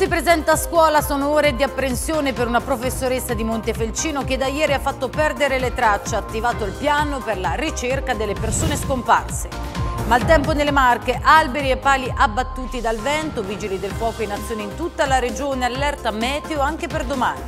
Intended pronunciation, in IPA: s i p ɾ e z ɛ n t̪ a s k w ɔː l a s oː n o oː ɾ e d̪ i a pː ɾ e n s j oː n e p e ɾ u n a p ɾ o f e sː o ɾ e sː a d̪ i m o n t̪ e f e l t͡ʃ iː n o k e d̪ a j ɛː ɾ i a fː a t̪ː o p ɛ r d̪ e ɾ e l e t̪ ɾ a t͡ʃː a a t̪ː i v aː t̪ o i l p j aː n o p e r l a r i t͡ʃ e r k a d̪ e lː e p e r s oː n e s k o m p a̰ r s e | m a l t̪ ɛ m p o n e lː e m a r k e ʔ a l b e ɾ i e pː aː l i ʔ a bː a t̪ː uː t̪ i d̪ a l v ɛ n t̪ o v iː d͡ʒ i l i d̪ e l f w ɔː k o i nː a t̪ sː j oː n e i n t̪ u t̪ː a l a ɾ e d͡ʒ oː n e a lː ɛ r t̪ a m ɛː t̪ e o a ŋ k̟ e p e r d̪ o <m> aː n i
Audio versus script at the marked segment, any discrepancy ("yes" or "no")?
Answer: no